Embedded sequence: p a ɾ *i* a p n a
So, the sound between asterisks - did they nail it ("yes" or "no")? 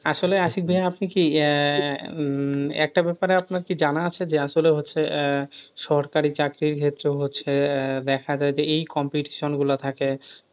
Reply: no